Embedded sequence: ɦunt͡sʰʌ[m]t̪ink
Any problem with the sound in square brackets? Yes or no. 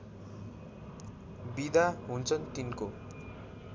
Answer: yes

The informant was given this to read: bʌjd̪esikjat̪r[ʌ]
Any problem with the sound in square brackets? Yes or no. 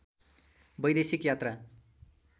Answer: yes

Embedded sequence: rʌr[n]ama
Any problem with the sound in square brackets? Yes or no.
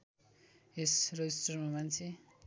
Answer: yes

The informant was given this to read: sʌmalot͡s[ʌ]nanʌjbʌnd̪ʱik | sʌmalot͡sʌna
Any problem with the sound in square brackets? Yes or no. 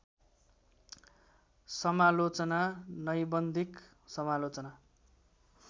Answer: no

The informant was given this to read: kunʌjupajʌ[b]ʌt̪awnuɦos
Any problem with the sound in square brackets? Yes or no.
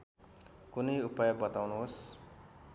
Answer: no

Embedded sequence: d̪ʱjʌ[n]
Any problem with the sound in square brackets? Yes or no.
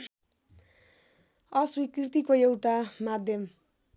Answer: yes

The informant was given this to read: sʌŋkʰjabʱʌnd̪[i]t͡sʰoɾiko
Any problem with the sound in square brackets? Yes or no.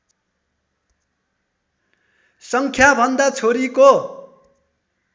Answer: yes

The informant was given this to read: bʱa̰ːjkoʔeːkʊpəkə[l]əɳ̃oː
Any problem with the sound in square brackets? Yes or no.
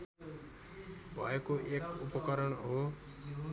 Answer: yes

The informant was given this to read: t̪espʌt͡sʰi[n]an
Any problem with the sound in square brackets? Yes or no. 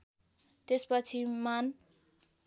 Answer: yes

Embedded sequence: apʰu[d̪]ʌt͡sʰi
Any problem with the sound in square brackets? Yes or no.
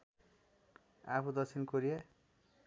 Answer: no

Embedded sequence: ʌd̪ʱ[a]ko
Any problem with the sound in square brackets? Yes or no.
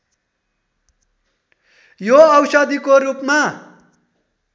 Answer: yes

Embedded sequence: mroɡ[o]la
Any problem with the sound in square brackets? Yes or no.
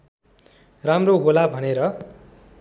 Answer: no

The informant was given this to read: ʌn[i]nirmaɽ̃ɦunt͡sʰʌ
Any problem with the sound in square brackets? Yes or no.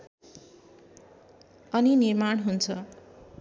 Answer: no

